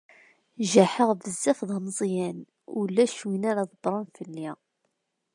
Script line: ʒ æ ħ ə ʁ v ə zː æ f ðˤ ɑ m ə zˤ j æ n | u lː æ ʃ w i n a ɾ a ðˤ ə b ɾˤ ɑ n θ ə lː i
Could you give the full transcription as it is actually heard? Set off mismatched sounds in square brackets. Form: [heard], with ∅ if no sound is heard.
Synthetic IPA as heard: ʒ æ ħ ə ʁ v ə zː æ f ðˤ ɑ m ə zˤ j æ n | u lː æ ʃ w i n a ɾ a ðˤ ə b ɾˤ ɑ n [f] ə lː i